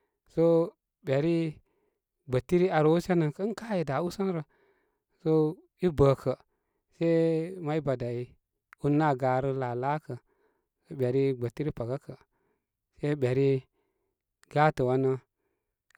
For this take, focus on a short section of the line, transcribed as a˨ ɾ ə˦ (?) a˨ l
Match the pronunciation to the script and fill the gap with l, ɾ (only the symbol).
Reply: l